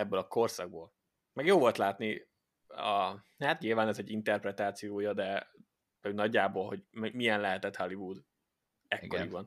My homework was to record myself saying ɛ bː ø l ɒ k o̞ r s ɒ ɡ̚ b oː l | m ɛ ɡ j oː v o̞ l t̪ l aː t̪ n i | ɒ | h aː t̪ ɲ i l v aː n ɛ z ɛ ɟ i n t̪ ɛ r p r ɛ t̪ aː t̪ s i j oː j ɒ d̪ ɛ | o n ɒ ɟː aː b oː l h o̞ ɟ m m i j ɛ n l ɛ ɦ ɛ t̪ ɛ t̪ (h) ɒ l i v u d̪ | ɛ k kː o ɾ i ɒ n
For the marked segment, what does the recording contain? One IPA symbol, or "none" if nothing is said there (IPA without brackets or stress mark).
h